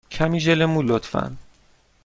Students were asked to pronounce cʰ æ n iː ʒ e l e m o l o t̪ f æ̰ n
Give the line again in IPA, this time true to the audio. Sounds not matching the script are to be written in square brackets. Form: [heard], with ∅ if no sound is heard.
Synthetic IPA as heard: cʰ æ [m] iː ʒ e l e m [u] l o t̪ f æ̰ n

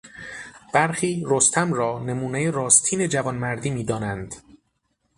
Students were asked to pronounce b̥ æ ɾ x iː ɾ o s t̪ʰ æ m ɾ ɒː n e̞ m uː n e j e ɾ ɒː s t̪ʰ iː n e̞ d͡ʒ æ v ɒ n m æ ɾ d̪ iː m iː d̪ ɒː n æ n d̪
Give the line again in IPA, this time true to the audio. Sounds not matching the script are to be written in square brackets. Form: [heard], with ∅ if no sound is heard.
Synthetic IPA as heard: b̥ æ ɾ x iː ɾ o s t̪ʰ æ m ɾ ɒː n e̞ m uː n e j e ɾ ɒː s t̪ʰ iː n e̞ d͡ʒ æ v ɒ n m æ ɾ d̪ iː m iː d̪ ɒː n æ n d̪

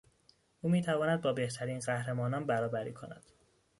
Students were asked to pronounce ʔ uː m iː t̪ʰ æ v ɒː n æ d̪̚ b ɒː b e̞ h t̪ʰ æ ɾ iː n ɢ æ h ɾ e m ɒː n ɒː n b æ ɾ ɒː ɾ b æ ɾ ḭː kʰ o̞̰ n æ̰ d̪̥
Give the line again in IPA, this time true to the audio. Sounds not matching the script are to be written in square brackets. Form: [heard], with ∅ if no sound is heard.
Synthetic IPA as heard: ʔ uː m iː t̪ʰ æ v ɒː n æ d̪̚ b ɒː b e̞ h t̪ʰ æ ɾ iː n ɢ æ h ɾ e m ɒː n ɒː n b æ ɾ ɒː [∅] b æ ɾ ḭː kʰ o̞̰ n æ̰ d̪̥

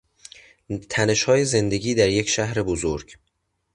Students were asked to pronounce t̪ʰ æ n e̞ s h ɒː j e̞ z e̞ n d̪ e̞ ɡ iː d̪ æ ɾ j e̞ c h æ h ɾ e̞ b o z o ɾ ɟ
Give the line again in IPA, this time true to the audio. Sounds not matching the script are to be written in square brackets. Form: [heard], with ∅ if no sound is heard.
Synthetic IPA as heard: t̪ʰ æ n e̞ [ʃ] h ɒː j e̞ z e̞ n d̪ e̞ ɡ iː d̪ æ ɾ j e̞ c [ʃ] æ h ɾ e̞ b o z o ɾ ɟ

